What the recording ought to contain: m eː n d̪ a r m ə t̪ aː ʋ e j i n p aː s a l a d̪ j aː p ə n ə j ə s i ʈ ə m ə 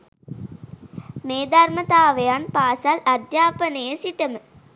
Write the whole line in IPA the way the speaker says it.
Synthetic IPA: m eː d̪ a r m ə t̪ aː ʋ e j a n p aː s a l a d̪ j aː p ə n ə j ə s i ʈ ə m ə